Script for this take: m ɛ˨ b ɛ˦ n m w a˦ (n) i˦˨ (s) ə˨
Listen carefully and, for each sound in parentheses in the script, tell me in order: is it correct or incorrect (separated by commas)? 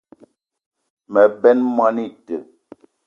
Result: correct, incorrect